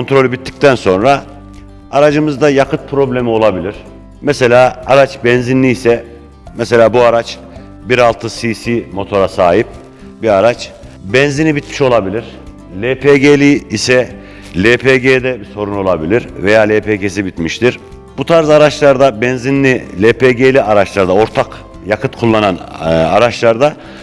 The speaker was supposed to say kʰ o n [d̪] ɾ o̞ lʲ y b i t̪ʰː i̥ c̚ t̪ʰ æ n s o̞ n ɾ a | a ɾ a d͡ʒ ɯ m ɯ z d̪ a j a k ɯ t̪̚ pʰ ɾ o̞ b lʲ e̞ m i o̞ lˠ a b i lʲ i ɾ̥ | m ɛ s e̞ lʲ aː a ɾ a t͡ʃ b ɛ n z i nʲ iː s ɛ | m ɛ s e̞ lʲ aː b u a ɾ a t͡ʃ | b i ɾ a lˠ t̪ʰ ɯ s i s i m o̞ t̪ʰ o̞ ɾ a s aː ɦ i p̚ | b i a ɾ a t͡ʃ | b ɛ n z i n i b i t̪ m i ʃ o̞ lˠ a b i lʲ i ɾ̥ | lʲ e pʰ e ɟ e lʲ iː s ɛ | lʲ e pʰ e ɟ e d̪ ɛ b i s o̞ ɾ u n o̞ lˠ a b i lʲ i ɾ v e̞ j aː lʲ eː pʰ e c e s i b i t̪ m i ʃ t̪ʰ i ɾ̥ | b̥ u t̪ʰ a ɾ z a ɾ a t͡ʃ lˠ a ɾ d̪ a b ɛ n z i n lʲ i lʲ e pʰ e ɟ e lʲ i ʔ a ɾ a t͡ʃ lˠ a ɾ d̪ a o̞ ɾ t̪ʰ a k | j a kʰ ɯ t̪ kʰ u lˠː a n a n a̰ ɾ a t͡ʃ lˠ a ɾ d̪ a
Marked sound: incorrect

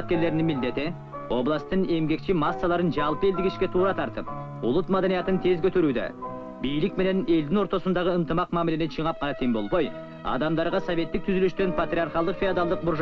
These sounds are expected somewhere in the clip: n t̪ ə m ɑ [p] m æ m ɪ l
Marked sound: incorrect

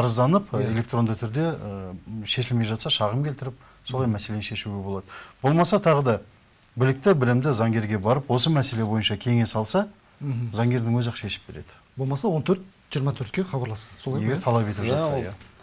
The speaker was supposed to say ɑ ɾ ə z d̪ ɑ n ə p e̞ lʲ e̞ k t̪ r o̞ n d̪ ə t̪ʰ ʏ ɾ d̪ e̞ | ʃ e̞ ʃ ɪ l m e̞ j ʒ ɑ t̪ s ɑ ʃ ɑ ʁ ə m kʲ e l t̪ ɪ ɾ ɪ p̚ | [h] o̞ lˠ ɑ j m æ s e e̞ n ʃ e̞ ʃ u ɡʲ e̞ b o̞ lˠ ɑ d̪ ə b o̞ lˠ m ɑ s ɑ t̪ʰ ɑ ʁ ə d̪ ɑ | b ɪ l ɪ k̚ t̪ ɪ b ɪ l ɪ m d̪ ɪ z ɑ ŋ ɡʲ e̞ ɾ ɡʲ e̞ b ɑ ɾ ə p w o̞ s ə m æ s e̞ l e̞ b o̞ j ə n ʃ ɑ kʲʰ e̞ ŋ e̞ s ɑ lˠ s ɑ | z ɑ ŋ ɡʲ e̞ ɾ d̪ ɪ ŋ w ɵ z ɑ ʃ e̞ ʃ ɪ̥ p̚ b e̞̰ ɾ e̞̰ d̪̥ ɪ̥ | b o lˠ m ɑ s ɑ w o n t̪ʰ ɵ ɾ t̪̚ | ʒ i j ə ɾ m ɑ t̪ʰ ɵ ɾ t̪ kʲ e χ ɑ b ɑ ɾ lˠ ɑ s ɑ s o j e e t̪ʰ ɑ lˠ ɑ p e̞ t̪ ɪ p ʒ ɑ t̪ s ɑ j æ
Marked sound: incorrect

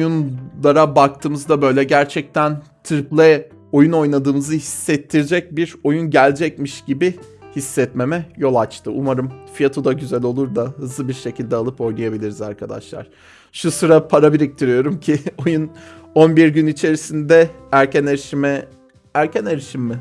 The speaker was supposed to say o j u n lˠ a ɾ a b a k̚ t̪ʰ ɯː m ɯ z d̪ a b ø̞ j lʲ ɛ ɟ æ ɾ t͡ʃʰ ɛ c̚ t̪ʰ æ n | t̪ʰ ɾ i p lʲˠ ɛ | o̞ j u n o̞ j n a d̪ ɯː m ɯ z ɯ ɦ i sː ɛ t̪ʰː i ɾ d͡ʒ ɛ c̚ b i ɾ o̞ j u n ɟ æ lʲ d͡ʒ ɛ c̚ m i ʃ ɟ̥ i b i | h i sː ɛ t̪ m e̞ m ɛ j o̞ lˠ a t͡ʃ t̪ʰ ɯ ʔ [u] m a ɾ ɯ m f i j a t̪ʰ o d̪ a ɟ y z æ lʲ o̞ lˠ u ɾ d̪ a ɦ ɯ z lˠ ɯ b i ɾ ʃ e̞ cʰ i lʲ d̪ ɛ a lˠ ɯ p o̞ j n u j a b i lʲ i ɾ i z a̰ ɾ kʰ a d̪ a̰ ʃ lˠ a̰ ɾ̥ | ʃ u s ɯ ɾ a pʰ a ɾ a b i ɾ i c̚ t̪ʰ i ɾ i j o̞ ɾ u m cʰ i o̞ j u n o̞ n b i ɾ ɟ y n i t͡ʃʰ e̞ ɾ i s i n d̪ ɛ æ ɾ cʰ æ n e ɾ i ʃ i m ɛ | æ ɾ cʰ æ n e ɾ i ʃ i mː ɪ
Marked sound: correct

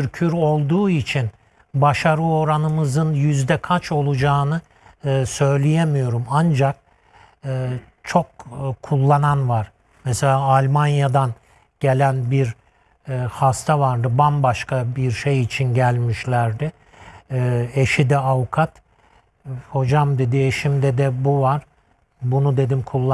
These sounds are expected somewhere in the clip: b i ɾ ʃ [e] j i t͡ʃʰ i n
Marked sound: correct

